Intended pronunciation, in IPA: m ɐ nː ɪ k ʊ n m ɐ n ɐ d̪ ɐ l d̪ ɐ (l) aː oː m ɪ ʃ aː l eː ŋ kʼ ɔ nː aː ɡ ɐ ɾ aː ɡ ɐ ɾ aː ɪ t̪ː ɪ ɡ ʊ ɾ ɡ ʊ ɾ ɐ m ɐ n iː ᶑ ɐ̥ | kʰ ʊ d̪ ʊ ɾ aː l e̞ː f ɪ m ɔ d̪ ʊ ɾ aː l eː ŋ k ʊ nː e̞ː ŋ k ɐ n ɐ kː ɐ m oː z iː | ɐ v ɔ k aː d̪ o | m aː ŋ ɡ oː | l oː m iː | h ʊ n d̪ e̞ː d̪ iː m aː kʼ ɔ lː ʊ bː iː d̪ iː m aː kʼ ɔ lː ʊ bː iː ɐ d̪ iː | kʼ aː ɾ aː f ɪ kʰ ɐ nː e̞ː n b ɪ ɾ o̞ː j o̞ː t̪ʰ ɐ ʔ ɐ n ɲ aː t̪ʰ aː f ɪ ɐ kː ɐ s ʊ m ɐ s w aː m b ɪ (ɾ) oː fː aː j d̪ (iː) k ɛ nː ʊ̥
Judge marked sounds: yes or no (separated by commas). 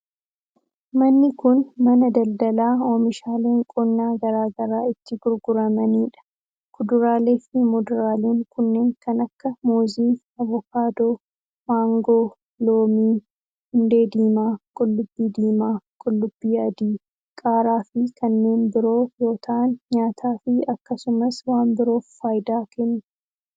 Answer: yes, yes, no